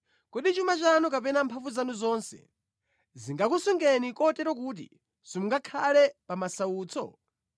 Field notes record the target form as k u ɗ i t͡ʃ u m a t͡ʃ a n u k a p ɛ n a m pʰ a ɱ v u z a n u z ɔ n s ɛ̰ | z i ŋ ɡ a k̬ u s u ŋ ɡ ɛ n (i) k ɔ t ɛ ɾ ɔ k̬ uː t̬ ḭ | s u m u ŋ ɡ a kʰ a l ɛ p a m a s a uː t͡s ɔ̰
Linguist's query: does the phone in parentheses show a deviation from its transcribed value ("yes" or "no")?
no